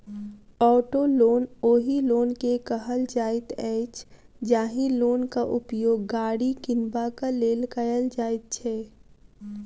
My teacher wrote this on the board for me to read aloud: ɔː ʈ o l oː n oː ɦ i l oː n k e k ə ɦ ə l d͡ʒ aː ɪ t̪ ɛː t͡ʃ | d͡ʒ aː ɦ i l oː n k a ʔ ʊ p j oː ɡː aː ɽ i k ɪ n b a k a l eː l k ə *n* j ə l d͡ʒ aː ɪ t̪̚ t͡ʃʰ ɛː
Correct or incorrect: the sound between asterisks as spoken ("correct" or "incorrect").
incorrect